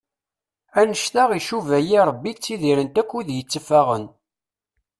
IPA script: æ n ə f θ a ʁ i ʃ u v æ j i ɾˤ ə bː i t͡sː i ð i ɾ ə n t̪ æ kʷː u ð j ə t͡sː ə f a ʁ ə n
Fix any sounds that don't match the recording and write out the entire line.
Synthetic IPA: æ n ə ʃ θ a ʁ i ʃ u v æ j i ɾˤ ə bː i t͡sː i ð i ɾ ə n t̪ æ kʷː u ð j ə t͡sː ə f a ʁ ə n